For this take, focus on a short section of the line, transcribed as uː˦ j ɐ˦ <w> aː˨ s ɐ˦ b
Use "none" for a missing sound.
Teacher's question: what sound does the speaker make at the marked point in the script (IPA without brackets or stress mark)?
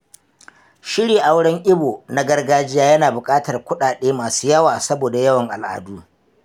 w